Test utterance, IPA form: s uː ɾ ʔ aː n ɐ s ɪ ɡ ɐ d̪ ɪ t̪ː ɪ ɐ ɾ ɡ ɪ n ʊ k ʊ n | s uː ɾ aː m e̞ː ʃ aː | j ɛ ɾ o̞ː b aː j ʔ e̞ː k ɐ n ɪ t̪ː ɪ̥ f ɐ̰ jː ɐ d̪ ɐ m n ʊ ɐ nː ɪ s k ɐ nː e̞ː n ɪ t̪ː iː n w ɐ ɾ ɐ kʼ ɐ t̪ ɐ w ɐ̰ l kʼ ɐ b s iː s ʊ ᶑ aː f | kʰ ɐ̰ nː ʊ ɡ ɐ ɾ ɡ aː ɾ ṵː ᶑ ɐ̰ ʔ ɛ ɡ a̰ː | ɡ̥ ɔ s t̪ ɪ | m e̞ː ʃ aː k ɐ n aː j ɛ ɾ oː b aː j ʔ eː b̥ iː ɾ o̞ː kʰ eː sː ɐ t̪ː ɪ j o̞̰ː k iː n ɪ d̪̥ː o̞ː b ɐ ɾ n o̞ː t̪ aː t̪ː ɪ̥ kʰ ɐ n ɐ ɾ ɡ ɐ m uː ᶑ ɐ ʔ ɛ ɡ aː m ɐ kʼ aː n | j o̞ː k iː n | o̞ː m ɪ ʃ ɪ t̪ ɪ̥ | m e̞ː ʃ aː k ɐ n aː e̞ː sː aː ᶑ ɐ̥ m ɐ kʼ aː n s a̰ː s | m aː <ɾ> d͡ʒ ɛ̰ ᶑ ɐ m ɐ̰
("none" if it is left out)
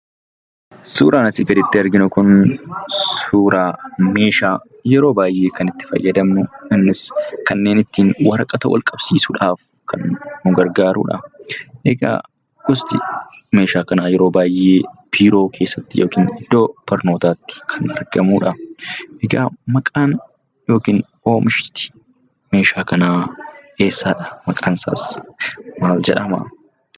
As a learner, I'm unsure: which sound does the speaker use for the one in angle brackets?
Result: l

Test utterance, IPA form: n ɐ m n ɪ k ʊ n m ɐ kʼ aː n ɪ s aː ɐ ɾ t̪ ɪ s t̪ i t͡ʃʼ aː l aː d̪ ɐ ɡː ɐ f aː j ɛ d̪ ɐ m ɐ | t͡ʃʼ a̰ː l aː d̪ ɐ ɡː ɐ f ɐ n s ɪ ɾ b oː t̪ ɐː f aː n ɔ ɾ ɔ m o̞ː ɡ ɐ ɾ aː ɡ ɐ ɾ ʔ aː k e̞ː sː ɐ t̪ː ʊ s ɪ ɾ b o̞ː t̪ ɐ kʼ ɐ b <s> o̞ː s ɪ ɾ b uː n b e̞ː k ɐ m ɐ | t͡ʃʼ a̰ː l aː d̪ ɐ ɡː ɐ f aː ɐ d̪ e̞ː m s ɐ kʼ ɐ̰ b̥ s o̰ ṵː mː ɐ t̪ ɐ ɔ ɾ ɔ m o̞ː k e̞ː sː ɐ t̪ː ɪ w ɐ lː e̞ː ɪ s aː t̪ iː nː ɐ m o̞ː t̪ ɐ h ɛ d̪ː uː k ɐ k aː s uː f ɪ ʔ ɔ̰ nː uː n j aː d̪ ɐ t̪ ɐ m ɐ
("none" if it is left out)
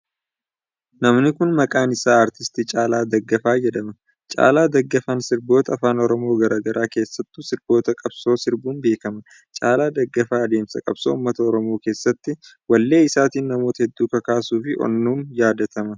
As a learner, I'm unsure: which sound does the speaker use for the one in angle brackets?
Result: s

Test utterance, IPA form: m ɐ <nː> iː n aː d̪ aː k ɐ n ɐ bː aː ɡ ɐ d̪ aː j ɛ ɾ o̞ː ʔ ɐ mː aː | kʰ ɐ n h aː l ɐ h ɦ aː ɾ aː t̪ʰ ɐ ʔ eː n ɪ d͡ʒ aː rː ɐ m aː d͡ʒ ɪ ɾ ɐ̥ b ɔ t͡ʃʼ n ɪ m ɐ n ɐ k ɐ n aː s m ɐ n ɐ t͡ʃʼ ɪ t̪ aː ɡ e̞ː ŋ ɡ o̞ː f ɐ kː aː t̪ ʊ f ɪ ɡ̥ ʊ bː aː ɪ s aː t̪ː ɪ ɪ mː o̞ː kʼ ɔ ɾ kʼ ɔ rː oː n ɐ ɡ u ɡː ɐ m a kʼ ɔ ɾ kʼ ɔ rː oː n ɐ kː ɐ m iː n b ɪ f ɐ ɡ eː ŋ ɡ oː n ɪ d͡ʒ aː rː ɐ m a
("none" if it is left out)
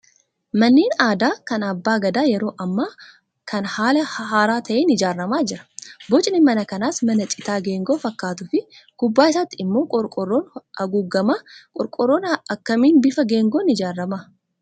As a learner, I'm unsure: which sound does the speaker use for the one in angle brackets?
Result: nː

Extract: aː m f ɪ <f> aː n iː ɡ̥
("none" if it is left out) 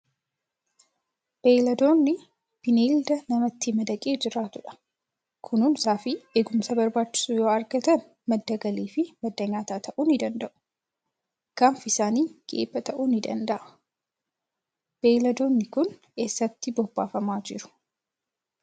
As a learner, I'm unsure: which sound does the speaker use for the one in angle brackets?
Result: s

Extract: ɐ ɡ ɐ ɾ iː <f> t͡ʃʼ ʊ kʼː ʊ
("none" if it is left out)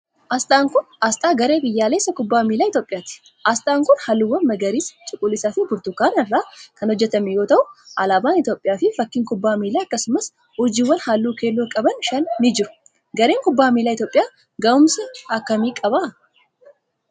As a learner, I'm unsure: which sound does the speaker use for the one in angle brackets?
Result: s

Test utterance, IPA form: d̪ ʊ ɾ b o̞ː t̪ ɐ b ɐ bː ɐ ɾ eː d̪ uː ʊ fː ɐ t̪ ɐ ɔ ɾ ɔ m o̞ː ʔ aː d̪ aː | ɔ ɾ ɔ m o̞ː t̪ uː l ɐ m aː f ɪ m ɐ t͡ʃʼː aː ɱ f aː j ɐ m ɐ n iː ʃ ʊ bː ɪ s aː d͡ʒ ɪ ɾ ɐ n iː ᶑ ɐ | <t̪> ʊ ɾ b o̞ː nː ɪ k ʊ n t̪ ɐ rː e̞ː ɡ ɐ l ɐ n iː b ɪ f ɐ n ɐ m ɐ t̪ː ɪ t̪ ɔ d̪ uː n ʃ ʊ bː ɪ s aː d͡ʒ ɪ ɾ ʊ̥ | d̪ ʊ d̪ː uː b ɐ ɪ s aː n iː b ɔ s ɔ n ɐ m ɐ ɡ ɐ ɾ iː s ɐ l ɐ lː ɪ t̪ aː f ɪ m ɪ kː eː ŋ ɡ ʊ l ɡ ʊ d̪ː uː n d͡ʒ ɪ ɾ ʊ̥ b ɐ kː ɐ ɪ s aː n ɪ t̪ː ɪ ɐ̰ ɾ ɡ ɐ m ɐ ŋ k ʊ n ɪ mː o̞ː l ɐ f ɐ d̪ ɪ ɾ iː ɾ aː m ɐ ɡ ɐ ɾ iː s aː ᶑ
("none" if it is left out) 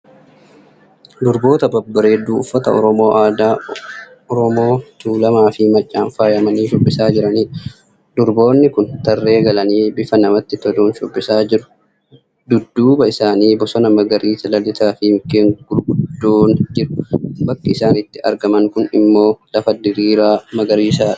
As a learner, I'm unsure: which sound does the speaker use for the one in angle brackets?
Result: d̪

